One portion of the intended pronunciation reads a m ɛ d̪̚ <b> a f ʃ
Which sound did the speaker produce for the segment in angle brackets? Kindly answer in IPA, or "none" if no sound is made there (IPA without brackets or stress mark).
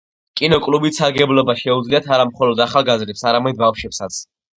b